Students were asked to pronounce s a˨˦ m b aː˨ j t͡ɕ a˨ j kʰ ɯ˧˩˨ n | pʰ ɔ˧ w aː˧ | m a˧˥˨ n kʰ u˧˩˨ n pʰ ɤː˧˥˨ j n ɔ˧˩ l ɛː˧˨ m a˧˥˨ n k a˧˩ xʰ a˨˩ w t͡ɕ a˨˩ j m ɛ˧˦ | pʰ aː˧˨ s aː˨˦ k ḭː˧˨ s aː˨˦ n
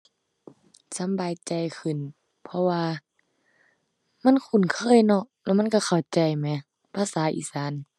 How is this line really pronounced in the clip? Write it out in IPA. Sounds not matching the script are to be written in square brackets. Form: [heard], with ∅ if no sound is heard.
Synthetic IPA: s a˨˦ m b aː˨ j t͡ɕ a˨ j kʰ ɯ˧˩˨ n | pʰ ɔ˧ w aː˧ | m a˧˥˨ n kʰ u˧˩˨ n [kʰ] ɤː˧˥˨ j n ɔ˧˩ l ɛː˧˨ m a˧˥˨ n k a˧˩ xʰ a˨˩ w t͡ɕ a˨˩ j m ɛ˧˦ | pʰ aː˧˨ s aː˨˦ [ʔ] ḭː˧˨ s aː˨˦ n